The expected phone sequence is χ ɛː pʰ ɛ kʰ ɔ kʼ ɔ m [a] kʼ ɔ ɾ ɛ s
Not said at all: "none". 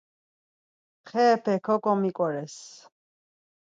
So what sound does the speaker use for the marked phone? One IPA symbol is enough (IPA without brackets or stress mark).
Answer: i